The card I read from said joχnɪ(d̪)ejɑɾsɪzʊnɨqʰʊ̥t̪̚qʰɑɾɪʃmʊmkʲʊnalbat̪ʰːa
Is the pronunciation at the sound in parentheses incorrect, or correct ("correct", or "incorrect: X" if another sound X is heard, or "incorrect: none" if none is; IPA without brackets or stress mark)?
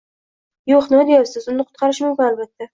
correct